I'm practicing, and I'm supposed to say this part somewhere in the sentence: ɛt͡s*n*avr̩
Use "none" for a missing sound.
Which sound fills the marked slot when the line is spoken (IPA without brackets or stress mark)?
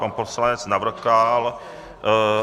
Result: n